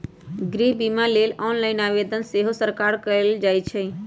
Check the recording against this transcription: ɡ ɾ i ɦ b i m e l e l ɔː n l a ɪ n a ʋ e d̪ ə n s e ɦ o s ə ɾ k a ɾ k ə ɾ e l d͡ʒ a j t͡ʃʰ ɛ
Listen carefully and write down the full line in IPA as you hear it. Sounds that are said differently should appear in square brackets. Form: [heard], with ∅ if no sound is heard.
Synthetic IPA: ɡ ɾ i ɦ b i m [a] l e l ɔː n l a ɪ n a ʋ e d̪ ə n s e ɦ o s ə ɾ k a ɾ k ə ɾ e l d͡ʒ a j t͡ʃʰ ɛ